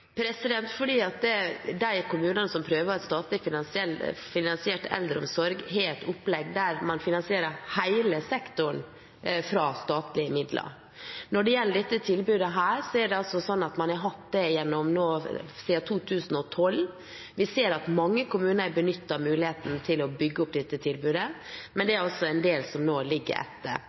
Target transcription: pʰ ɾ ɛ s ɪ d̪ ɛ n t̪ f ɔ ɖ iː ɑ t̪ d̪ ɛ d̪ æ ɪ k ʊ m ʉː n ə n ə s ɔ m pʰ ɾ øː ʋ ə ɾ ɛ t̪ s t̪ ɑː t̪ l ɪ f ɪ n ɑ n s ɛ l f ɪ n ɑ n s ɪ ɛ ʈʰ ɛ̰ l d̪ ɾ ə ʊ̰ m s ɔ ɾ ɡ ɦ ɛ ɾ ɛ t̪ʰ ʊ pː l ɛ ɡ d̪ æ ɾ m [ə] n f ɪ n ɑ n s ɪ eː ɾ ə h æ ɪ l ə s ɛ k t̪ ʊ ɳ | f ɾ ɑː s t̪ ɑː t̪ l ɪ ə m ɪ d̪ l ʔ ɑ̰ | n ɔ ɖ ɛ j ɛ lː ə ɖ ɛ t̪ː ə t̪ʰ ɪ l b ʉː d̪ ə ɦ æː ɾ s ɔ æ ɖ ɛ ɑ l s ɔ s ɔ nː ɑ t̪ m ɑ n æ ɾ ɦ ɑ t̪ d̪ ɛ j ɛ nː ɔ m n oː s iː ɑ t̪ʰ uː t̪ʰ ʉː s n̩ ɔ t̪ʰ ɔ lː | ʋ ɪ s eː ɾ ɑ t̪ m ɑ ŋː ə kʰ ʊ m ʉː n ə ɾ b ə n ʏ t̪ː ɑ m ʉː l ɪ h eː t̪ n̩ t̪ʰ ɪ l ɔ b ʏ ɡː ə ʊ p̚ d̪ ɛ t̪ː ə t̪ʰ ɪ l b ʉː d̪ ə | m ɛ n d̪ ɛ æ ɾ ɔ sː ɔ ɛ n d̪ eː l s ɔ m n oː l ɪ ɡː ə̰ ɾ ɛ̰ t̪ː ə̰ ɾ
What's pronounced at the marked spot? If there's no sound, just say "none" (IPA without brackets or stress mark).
ɑ